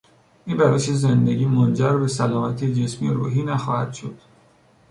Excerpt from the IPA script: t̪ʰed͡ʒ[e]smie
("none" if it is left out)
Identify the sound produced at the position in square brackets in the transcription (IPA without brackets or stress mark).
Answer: e